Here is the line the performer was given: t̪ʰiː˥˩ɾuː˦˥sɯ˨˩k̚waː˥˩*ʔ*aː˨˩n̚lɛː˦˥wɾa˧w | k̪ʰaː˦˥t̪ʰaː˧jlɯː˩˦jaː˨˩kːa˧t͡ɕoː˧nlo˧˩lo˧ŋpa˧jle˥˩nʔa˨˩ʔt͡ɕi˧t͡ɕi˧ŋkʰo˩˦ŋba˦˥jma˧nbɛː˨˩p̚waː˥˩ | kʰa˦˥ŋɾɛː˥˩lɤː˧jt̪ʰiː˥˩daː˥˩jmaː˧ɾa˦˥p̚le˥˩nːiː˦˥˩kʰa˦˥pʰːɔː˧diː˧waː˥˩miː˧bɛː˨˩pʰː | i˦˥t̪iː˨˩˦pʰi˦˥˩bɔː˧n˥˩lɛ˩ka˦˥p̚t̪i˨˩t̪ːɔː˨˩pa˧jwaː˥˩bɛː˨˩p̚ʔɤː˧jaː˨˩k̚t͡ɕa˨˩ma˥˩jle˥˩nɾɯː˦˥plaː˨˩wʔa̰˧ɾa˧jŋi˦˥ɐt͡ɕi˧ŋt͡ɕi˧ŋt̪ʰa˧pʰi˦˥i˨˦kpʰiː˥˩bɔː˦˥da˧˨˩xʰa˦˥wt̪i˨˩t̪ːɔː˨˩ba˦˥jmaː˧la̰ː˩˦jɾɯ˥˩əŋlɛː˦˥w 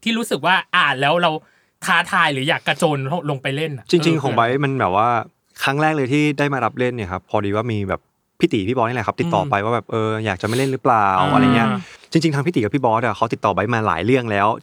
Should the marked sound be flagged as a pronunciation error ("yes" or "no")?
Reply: no